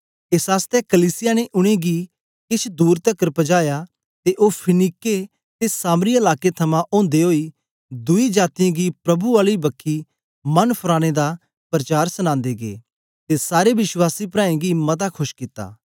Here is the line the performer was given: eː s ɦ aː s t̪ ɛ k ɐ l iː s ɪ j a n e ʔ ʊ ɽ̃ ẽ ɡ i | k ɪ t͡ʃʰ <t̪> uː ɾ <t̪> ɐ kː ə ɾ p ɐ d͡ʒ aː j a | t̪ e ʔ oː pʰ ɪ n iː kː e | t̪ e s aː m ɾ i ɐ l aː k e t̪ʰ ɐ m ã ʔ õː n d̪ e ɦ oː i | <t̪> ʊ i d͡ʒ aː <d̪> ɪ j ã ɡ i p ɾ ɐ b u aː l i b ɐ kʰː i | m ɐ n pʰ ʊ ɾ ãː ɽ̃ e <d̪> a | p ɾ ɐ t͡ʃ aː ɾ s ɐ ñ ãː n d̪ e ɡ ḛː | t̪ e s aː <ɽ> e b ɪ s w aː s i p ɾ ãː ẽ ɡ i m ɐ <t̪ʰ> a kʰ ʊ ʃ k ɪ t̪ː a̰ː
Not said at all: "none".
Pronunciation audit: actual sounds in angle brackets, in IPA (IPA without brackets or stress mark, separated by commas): d̪, t̪, d̪, t̪, d̪, ɾ, t̪